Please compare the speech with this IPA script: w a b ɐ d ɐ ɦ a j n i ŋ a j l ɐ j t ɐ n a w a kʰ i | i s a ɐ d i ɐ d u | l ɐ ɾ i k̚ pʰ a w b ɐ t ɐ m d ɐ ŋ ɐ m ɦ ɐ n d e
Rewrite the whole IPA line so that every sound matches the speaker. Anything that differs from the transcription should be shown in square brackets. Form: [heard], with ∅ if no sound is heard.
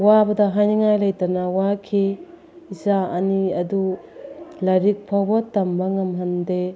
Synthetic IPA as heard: w a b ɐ d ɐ ɦ a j n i ŋ a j l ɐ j t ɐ n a w a kʰ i | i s a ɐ [n] i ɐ d u | l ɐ ɾ i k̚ pʰ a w b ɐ t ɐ m [b] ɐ ŋ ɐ m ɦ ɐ n d e